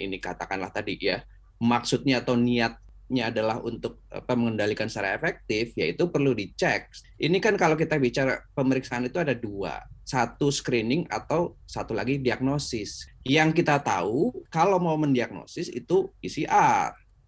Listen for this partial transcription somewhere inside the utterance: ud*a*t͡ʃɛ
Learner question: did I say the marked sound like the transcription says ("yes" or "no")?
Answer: no